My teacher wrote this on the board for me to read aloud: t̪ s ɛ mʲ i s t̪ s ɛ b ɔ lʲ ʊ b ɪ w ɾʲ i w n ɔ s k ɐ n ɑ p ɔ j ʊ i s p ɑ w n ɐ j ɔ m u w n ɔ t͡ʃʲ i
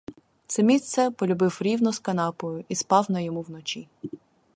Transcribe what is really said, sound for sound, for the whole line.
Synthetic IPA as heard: t̪ s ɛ mʲ i s t̪ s ɛ p ɔ lʲ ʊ b ɪ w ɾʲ i w n ɔ s k ɐ n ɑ p ɔ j ʊ i s p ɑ w n ɐ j ɔ m u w n ɔ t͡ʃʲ i

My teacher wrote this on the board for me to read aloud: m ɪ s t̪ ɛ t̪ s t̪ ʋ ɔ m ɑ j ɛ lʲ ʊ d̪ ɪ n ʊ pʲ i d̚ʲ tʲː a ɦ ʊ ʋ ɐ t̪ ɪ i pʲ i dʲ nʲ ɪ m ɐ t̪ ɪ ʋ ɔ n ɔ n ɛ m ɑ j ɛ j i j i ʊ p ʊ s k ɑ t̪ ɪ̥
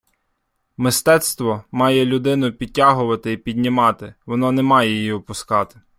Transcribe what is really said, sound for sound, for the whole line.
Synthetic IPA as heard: m ɪ s t̪ ɛ t̪ s t̪ ʋ ɔ m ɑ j ɛ lʲ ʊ d̪ ɪ n ʊ pʲ i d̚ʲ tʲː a ɦ ʊ ʋ ɐ t̪ ɪ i pʲ i dʲ nʲ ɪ m ɑ t̪ ɪ ʋ ɔ n ɔ n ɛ m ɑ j ɛ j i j i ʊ p ʊ s k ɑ t̪ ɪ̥

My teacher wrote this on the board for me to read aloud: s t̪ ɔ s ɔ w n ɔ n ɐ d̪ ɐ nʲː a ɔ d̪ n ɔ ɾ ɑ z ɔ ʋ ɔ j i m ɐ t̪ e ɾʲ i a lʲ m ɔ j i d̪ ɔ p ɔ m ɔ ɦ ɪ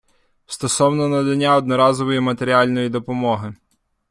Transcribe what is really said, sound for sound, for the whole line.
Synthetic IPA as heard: s t̪ ɔ s ɔ w n ɔ n ɐ d̪ ɐ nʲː a ɔ d̪ n ɔ ɾ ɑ z ɔ ʋ ɔ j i m ɐ t̪ e ɾʲ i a lʲ n ɔ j i d̪ ɔ p ɔ m ɔ ɦ ɪ

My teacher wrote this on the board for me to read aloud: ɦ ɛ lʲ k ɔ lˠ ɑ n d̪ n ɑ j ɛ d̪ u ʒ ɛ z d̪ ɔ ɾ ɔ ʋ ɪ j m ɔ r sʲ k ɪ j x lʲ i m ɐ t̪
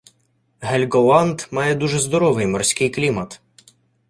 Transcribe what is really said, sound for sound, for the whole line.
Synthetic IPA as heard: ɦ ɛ lʲ ɡ ɔ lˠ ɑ n d̪ m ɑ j ɛ d̪ u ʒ ɛ z d̪ ɔ ɾ ɔ ʋ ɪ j m ɔ r sʲ k ɪ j k lʲ i m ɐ t̪

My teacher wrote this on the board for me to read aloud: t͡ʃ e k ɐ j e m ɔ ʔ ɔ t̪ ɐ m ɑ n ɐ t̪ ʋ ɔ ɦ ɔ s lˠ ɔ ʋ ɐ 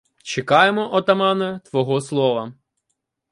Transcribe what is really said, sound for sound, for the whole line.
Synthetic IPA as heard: t͡ʃ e k ɑ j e m ɔ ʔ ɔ t̪ ɐ m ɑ n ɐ t̪ ʋ ɔ ɦ ɔ s lˠ ɔ ʋ ɐ

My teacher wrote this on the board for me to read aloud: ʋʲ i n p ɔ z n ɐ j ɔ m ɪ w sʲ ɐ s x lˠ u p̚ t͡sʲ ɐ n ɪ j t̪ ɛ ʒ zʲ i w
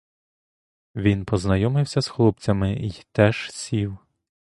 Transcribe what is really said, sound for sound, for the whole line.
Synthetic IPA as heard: ʋʲ i n p ɔ z n ɐ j ɔ m ɪ w sʲ ɐ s x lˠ u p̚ t͡sʲ ɐ m ɪ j t̪ ɛ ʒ sʲ i w

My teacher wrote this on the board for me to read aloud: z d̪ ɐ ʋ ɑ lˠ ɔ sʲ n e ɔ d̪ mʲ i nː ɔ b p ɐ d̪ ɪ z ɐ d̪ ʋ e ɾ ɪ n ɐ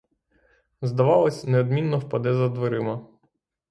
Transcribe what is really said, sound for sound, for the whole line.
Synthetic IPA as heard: z d̪ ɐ ʋ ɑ lˠ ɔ sʲ n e ɔ d̪ mʲ i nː ɔ w p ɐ d̪ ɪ z ɐ d̪ ʋ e ɾ ɪ m ɐ

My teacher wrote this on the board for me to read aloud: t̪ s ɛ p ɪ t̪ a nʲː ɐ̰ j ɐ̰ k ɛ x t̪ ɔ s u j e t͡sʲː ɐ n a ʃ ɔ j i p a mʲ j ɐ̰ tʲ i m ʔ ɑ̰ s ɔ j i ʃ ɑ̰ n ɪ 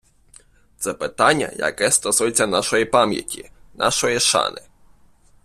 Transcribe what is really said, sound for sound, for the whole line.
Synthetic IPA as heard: t̪ s ɛ p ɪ t̪ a nʲː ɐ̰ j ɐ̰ k ɛ s t̪ ɔ s u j e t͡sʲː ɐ n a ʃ ɔ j i p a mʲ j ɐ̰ tʲ i n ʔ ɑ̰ ʃ ɔ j i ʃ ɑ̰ n ɪ

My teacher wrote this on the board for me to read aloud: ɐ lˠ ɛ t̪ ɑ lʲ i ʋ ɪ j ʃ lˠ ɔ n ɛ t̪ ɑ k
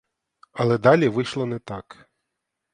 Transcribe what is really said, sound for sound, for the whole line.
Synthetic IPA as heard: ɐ lˠ ɛ d̪ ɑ lʲ i ʋ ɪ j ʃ lˠ ɔ n ɛ t̪ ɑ k

